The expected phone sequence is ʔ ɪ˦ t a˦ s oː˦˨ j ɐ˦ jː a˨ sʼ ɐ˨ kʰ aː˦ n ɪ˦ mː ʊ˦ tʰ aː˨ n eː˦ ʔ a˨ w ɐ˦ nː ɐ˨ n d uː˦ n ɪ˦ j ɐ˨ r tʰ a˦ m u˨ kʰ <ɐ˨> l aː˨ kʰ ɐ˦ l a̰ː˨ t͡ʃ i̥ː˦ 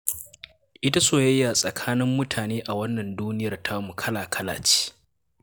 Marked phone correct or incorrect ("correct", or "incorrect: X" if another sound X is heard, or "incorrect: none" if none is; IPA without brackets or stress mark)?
incorrect: ɐ˦